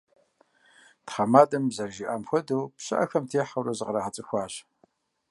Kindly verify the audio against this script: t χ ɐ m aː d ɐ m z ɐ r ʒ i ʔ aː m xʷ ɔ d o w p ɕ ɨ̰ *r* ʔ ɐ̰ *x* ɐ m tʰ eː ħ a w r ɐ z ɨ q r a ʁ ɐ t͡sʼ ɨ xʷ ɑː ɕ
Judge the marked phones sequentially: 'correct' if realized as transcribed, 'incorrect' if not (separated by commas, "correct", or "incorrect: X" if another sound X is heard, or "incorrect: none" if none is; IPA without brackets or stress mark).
incorrect: none, correct